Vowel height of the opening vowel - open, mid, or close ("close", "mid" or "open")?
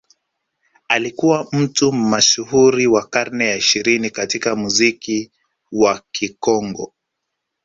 open